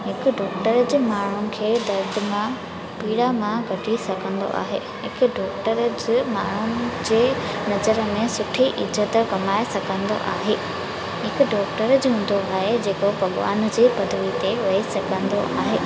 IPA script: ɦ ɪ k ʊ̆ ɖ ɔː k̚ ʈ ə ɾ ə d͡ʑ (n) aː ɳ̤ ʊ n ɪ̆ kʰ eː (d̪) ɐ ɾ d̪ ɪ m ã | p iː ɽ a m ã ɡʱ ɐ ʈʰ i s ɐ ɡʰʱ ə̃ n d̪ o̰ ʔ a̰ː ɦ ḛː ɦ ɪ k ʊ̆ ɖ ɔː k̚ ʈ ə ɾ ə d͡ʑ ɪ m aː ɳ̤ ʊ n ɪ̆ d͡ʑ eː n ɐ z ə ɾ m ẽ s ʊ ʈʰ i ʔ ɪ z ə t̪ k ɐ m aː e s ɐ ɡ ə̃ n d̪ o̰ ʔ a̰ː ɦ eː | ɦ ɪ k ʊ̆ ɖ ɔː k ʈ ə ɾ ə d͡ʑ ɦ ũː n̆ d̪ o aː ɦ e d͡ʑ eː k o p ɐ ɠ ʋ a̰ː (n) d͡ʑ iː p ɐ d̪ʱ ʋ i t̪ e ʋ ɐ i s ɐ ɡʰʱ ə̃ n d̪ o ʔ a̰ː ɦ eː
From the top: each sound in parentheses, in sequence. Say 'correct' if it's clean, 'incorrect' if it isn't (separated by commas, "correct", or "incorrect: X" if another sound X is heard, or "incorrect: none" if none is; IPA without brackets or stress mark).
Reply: incorrect: m, correct, correct